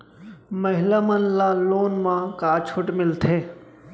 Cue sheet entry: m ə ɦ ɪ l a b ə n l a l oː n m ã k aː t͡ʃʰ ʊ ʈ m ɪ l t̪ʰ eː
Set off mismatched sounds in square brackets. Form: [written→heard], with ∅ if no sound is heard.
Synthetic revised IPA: m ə ɦ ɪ l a [b→m] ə n l a l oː n m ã k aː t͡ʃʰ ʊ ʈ m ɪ l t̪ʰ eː